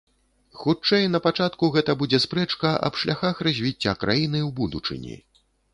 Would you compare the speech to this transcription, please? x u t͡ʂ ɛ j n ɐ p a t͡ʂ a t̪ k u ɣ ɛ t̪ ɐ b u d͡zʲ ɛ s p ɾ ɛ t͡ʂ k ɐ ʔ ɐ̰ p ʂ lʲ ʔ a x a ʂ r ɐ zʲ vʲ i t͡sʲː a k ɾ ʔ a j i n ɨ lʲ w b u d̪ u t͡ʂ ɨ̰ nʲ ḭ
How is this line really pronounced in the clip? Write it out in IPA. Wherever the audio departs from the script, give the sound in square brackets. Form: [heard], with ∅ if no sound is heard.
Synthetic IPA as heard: x u t͡ʂ ɛ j n ɐ p a t͡ʂ a t̪ k u ɣ ɛ t̪ ɐ b u d͡zʲ ɛ s p ɾ ɛ t͡ʂ k ɐ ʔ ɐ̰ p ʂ lʲ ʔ a x a [x] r ɐ zʲ vʲ i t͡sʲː a k ɾ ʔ a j i n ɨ [∅] w b u d̪ u t͡ʂ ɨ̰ nʲ ḭ